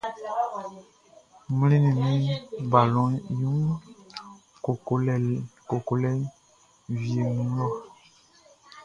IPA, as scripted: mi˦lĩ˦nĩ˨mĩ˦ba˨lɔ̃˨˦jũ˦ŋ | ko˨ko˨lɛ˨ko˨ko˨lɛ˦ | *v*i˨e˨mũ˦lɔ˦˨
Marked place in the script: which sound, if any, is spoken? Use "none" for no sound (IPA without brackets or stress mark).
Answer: v